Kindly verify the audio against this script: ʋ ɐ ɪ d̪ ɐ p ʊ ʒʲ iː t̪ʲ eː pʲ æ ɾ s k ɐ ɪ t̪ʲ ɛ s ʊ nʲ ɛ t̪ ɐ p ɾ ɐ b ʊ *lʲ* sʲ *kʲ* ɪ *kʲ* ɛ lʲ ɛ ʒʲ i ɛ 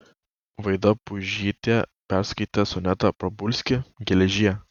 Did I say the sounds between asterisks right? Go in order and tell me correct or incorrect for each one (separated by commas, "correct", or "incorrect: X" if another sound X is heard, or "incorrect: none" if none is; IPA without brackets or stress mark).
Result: correct, correct, incorrect: ɡʲ